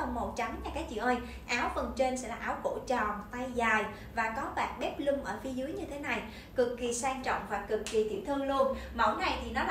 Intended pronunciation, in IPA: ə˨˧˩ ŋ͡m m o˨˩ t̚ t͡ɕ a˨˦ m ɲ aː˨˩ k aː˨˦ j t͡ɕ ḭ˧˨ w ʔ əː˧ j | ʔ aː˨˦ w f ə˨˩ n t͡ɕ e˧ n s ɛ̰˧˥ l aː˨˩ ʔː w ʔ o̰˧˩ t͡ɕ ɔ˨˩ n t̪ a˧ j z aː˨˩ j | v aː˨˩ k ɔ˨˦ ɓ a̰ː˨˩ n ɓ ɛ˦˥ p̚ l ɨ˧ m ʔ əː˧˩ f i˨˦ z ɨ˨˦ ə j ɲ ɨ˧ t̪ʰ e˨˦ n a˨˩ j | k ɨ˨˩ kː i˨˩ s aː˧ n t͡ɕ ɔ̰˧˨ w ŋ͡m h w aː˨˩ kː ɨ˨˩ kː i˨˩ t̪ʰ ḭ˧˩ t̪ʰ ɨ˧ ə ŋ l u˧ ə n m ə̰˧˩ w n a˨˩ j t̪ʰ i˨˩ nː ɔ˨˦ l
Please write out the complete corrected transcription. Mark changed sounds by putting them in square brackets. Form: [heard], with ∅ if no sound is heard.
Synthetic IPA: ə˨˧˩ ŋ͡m m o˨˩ t̚ t͡ɕ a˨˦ m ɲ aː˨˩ k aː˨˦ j t͡ɕ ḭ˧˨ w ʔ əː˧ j | ʔ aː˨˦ w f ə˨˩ n t͡ɕ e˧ n s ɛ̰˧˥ l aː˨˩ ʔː w [k] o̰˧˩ t͡ɕ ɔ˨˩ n t̪ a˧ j z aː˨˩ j | v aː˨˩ k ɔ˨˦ ɓ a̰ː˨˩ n ɓ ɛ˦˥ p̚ l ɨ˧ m ʔ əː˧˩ f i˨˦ z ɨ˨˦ ə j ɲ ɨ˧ t̪ʰ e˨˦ n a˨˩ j | k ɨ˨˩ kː i˨˩ s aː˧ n t͡ɕ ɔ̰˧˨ w ŋ͡m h w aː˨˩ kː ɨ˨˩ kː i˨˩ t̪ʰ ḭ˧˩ t̪ʰ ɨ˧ ə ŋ l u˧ ə n m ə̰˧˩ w n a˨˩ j t̪ʰ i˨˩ [n] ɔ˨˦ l